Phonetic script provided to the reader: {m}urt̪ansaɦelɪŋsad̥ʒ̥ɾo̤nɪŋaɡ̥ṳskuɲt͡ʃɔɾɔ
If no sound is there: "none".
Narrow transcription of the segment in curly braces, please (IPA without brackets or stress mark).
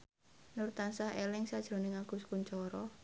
n